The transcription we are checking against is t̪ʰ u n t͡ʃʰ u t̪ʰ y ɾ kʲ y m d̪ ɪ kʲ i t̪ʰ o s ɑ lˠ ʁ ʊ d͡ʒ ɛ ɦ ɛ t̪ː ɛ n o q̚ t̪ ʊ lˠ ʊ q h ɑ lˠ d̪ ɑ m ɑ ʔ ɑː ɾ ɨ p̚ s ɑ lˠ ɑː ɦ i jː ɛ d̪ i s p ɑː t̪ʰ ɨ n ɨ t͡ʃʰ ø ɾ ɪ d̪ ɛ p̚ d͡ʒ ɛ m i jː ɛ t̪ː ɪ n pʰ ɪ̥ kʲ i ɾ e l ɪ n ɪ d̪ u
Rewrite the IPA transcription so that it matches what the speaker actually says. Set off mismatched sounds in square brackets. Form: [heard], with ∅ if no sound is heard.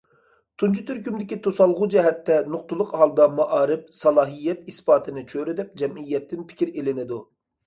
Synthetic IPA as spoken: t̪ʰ u n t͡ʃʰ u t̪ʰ y ɾ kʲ y m d̪ ɪ kʲ i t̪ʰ o s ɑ lˠ ʁ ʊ d͡ʒ ɛ ɦ ɛ t̪ː ɛ n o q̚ t̪ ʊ lˠ ʊ q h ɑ lˠ d̪ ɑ m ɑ ʔ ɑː ɾ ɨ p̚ s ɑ lˠ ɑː ɦ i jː ɛ [t̪] i s p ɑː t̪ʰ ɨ n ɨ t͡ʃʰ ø ɾ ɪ d̪ ɛ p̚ d͡ʒ ɛ m i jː ɛ t̪ː ɪ n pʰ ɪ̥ kʲ i ɾ e l ɪ n ɪ d̪ u

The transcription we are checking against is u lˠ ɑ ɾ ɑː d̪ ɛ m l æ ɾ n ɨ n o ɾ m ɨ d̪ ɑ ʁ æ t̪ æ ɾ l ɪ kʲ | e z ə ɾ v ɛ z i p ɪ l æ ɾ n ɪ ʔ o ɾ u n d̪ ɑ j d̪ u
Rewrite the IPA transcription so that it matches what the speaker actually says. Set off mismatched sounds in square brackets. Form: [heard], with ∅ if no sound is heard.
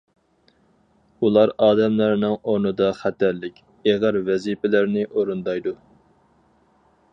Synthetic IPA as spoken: u lˠ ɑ ɾ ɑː d̪ ɛ m l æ ɾ n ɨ [ŋ] o ɾ [n] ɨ d̪ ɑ [χ] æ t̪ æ ɾ l ɪ kʲ | e [ʁ] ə ɾ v ɛ z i p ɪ l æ ɾ n ɪ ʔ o ɾ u n d̪ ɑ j d̪ u

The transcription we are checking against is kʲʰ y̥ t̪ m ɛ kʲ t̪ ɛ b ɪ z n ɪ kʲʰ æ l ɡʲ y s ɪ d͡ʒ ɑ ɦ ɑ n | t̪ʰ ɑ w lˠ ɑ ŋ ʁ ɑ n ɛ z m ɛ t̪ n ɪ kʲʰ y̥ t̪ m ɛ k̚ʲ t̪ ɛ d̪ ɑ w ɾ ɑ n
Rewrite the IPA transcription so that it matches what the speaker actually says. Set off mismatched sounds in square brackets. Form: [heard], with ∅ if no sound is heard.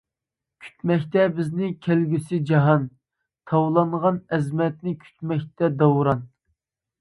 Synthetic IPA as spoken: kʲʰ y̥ t̪ m ɛ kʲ t̪ ɛ b ɪ z n ɪ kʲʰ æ l ɡʲ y s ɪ d͡ʒ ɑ ɦ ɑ n | t̪ʰ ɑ w lˠ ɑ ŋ ʁ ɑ n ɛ z m ɛ t̪ n ɪ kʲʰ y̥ t̪ m ɛ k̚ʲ t̪ ɛ d̪ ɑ w ɾ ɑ n

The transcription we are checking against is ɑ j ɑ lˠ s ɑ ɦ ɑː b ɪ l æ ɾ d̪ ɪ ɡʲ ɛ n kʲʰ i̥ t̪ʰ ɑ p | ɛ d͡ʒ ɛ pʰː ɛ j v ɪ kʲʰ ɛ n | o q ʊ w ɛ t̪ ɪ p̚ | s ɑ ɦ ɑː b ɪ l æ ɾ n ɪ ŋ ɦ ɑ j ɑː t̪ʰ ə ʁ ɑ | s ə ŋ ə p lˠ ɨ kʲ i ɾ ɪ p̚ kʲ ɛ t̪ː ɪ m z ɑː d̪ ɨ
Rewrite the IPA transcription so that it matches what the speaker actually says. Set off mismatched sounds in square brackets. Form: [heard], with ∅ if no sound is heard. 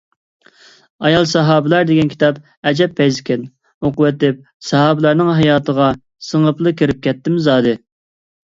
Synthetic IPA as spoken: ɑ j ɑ lˠ s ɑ ɦ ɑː b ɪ l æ ɾ d̪ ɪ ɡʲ ɛ n kʲʰ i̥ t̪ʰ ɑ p | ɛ d͡ʒ ɛ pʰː ɛ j [z] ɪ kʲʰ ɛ n | o q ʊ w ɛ t̪ ɪ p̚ | s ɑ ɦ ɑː b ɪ l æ ɾ n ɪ ŋ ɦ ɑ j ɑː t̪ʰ ə ʁ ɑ | s ə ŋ ə p lˠ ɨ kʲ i ɾ ɪ p̚ kʲ ɛ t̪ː ɪ m z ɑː d̪ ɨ

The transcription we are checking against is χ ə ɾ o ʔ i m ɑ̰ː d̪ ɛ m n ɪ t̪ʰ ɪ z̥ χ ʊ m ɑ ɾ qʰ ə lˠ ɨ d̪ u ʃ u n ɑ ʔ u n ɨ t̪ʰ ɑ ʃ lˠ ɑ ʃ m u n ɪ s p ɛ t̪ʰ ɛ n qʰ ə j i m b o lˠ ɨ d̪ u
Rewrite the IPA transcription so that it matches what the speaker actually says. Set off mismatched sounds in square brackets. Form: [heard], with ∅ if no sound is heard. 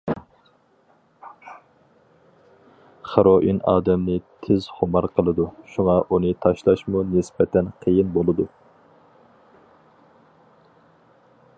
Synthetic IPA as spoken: χ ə ɾ o ʔ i [n] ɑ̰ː d̪ ɛ m n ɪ t̪ʰ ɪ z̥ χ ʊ m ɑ ɾ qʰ ə lˠ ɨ d̪ u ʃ u [ŋ] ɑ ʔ u n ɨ t̪ʰ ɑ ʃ lˠ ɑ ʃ m u n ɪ s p ɛ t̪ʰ ɛ n qʰ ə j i [n] b o lˠ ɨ d̪ u

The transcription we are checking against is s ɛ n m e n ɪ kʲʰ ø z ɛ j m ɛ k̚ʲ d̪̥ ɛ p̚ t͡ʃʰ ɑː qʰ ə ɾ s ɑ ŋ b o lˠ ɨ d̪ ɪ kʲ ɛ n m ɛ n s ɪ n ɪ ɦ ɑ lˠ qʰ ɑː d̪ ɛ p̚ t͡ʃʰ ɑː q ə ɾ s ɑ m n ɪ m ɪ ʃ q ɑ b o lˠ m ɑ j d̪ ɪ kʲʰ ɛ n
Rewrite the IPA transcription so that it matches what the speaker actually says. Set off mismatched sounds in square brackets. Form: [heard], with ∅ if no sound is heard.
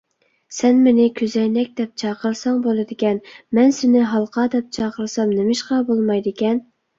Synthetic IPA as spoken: s ɛ n m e n ɪ kʲʰ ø z ɛ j [n] ɛ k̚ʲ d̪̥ ɛ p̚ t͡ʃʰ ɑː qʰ ə ɾ s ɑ ŋ b o lˠ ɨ d̪ ɪ kʲ ɛ n m ɛ n s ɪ n ɪ ɦ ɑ lˠ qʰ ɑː d̪ ɛ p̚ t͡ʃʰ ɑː q ə ɾ s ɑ m n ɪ m ɪ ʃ q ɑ b o lˠ m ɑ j d̪ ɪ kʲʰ ɛ n

